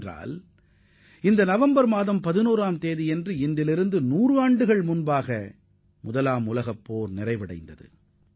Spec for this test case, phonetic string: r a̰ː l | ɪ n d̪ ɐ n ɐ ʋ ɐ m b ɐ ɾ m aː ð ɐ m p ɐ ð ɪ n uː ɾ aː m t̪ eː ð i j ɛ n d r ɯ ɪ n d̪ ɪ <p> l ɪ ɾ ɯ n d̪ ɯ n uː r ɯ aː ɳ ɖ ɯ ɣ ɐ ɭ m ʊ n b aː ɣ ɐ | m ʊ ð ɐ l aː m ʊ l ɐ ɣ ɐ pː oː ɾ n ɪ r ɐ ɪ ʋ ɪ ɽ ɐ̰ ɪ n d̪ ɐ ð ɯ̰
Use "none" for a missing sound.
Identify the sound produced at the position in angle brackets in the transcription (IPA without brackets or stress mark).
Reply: none